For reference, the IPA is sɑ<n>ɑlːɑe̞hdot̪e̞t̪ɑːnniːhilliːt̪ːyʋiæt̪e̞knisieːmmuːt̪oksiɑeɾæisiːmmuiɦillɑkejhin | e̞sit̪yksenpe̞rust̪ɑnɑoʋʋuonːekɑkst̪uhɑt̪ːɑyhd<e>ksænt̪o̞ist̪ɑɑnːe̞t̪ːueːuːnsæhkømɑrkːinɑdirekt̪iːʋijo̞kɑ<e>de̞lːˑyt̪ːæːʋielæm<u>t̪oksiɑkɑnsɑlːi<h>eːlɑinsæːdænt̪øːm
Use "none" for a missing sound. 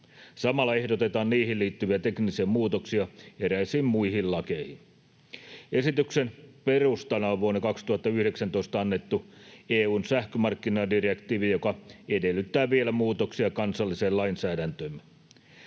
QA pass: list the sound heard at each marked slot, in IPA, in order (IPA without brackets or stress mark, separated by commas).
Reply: m, e, e, uː, s